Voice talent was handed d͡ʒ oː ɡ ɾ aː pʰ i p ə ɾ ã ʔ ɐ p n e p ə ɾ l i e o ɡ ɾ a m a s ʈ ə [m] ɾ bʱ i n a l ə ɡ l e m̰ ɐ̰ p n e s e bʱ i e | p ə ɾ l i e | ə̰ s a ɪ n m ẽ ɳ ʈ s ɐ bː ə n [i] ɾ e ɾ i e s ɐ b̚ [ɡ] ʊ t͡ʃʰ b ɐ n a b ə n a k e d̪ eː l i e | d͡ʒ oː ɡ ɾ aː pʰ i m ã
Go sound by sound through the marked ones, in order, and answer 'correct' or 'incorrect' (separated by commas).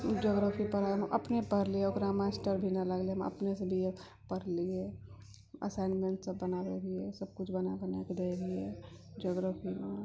incorrect, incorrect, incorrect